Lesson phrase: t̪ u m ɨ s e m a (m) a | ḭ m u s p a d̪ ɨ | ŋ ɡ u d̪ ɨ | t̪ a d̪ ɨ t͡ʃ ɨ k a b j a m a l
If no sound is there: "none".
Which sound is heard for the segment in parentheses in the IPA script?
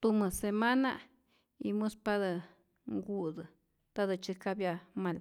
n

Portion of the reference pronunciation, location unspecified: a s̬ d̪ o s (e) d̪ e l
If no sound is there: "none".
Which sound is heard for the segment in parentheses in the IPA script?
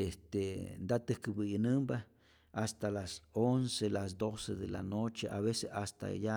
e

